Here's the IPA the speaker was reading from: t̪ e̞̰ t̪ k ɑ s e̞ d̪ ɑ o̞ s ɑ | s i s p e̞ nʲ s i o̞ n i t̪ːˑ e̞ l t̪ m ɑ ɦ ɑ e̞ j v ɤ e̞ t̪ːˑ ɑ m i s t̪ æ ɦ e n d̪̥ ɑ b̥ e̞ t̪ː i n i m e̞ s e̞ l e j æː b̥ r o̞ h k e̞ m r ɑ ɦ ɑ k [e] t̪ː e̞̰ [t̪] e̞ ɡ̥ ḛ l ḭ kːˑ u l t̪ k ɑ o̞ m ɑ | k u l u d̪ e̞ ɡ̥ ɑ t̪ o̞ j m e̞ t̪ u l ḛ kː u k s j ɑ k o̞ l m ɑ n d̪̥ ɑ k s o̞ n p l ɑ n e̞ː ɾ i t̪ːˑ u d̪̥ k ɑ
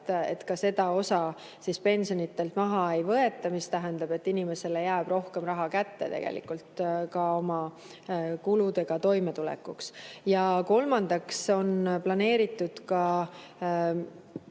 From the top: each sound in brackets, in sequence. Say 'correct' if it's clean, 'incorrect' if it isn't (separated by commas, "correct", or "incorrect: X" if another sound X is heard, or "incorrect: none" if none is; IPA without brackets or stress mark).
incorrect: æ, correct